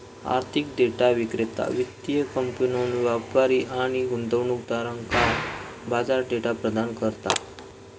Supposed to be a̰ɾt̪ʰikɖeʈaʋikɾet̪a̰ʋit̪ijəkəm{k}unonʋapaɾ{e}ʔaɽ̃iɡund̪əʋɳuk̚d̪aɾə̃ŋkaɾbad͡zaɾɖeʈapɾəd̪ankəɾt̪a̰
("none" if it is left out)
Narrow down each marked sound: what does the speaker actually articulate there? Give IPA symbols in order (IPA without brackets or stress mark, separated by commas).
p, i